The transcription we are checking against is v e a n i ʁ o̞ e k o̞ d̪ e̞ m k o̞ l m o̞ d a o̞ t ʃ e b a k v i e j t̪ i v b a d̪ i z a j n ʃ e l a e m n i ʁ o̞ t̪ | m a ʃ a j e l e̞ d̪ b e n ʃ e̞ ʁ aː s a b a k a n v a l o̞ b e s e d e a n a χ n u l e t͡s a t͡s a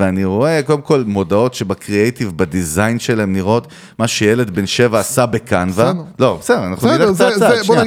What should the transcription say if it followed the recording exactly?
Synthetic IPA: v e a n i ʁ o̞ e k o̞ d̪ e̞ m k o̞ l m o̞ d a o̞ t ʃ e b a k ʁ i e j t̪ i v b a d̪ i z a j n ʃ e l a e m n i ʁ o̞ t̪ | m a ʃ e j e l e̞ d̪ b e n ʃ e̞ v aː s a b e k a n v a l o̞ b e s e d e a n a χ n u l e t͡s a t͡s a